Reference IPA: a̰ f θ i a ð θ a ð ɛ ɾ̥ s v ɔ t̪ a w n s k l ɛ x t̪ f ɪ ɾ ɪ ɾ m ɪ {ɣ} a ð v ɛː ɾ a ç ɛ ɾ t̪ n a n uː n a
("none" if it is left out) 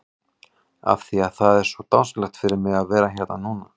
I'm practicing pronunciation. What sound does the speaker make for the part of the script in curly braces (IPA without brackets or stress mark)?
ɣ